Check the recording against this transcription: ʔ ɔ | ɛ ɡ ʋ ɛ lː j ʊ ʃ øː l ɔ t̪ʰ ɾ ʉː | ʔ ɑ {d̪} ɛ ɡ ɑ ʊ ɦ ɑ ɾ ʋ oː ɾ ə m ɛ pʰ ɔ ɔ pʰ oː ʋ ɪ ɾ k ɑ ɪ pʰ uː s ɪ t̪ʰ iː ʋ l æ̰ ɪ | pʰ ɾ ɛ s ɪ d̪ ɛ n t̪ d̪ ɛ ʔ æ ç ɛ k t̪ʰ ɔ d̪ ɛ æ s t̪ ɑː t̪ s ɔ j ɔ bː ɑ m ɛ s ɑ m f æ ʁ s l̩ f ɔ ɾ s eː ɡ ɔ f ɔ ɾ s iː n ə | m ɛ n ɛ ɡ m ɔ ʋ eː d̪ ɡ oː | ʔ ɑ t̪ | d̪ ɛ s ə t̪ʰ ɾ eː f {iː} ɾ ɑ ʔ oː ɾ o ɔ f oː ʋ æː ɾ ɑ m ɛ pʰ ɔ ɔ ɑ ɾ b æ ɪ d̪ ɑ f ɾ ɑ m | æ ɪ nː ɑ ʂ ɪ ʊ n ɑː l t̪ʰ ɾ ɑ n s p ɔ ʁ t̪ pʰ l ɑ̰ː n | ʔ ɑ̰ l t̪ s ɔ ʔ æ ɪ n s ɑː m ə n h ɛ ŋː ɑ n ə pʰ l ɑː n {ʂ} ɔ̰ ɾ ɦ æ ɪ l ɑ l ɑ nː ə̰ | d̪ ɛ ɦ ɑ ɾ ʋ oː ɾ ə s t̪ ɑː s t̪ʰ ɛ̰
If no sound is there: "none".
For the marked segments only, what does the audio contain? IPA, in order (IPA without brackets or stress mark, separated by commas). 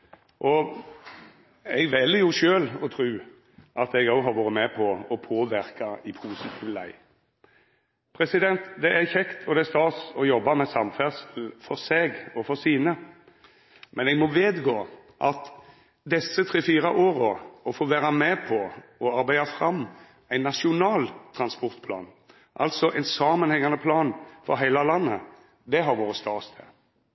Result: t̪, iː, f